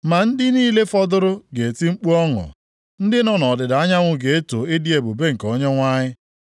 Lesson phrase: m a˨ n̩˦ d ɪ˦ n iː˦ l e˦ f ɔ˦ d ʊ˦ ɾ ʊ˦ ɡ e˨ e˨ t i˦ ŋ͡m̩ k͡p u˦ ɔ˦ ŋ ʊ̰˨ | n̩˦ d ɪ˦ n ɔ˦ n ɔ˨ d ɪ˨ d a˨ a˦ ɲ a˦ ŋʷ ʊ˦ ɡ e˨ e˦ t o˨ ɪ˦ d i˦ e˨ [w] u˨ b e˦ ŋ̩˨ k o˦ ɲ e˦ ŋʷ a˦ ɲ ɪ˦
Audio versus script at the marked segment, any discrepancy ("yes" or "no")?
yes